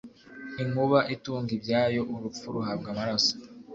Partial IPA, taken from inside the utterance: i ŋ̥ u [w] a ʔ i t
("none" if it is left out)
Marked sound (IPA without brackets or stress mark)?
β